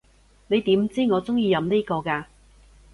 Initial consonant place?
alveolar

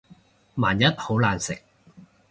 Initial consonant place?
labial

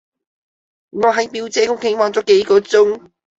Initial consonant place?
velar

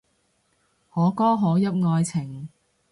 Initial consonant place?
glottal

